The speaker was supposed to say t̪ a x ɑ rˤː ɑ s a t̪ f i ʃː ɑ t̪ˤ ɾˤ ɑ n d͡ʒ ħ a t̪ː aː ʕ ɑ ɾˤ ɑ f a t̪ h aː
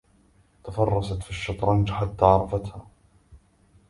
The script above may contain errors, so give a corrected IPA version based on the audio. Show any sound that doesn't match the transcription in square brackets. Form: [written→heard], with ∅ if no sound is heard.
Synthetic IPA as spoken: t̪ a [x→f] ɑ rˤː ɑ s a t̪ f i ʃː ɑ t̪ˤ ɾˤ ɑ n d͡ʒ ħ a t̪ː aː ʕ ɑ ɾˤ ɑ f a t̪ h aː

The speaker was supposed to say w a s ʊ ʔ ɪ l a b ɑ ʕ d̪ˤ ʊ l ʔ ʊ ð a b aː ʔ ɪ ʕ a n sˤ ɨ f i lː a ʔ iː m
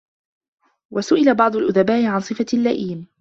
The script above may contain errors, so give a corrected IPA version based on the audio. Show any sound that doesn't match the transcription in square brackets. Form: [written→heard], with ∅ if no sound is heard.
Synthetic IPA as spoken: w a s ʊ ʔ ɪ l a b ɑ ʕ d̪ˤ ʊ l ʔ ʊ ð a b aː ʔ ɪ ʕ a n sˤ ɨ f [i→a] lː a ʔ iː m

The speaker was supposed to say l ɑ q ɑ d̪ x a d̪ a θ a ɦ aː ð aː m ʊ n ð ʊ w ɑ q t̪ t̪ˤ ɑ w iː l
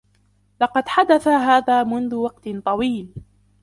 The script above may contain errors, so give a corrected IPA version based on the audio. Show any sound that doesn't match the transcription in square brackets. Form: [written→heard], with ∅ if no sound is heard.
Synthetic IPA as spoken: l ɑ q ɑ d̪ [x→ħ] a d̪ a θ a ɦ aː ð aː m ʊ n ð ʊ w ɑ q t̪ t̪ˤ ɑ w iː l

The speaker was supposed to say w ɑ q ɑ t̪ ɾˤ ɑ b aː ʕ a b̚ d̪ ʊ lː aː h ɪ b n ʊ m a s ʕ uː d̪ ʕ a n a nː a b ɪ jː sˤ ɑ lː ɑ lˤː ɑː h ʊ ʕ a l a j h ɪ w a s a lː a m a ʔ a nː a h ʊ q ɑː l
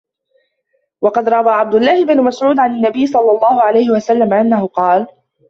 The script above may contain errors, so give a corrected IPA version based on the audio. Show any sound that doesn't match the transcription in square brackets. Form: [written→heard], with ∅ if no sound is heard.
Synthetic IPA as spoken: w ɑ q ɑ [t̪→d̪] ɾˤ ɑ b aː ʕ a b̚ d̪ ʊ lː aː h ɪ b n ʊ m a s ʕ uː d̪ ʕ a n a nː a b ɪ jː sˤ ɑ lː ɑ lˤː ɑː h ʊ ʕ a l a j h ɪ w a s a lː a m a ʔ a nː a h ʊ q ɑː l

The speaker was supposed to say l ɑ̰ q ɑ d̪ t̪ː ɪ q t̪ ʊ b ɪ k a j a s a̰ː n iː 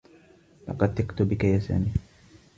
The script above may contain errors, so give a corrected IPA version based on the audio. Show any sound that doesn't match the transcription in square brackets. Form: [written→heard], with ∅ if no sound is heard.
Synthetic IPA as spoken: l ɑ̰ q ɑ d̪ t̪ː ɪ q t̪ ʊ b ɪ k a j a s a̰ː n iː

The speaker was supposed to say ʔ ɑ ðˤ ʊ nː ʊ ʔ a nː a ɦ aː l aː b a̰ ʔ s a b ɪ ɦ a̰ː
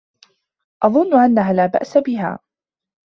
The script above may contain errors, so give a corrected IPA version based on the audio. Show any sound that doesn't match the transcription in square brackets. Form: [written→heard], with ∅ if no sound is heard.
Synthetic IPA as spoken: ʔ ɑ ðˤ ʊ nː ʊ ʔ a nː a ɦ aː l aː b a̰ ʔ s a b ɪ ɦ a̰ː

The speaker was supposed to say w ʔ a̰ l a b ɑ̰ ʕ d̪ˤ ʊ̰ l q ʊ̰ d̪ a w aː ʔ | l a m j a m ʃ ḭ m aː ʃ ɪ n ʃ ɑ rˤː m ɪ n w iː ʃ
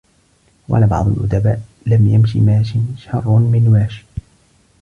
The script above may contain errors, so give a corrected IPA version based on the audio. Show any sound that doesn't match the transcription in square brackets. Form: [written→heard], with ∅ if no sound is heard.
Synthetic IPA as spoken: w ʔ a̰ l a b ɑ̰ ʕ d̪ˤ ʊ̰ l [q→ʔ] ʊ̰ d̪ a [w→b] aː ʔ | l a m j a m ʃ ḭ m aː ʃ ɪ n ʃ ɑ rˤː m ɪ n w [iː→aː] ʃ

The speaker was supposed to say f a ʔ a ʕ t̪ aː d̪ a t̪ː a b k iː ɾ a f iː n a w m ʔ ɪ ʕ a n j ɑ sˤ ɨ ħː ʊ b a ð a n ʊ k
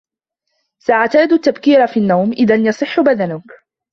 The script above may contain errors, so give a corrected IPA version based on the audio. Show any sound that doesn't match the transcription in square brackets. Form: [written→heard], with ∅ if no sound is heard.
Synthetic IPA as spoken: [f→s] a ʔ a ʕ t̪ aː d̪ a t̪ː a b k iː ɾ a f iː [n→nː] a w m ʔ ɪ [ʕ→ð] a n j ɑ sˤ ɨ ħː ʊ b a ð a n ʊ k

